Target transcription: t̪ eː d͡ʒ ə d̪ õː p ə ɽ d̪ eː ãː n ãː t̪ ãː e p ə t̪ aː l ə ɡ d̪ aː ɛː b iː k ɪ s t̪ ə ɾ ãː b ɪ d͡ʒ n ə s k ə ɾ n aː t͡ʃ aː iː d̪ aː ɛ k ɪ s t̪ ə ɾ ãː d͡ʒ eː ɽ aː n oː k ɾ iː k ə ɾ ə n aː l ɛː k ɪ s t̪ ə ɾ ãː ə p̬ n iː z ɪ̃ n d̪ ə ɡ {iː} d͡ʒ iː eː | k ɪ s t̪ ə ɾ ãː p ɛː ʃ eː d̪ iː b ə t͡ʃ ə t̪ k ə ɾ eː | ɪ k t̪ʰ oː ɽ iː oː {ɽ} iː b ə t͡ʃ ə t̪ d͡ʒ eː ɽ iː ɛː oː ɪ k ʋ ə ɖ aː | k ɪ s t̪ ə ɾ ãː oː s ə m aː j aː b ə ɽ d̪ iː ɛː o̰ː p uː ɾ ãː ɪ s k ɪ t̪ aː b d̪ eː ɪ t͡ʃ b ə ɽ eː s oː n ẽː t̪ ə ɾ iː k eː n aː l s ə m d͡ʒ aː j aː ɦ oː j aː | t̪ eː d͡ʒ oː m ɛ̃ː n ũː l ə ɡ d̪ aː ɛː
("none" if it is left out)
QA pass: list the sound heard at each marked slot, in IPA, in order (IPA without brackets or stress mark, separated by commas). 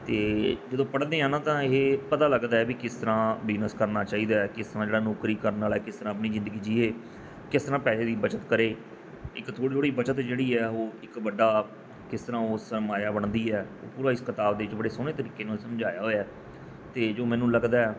iː, ɽ